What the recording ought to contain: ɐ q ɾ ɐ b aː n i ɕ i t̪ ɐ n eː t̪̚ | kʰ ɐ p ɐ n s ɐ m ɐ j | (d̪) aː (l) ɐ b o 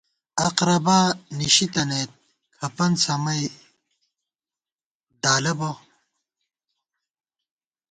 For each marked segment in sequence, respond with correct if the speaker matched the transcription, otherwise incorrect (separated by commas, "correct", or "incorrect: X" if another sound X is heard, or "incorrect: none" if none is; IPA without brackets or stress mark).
correct, correct